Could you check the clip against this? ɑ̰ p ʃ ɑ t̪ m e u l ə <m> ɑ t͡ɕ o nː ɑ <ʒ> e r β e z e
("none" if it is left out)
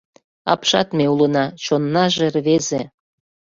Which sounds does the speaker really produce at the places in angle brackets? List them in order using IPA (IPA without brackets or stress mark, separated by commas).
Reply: n, ʒ